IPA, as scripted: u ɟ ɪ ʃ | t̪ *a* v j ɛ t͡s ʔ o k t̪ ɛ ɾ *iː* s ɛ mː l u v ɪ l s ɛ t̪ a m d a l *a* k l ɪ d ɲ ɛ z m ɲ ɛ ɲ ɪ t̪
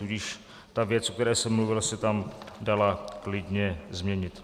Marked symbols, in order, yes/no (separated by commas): yes, no, yes